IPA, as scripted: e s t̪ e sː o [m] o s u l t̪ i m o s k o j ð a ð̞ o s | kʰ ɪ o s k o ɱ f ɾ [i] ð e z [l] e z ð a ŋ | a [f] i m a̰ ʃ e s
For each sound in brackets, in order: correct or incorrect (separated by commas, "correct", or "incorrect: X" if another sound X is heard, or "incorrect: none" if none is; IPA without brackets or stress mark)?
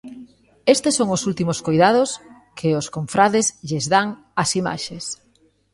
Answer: incorrect: ŋ, incorrect: a, incorrect: ʎ, incorrect: s